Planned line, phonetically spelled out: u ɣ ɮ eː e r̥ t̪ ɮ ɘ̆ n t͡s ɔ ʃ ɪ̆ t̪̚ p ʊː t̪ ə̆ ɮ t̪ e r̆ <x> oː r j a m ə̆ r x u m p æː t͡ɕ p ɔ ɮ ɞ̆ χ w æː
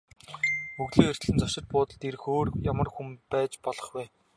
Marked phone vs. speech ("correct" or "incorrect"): correct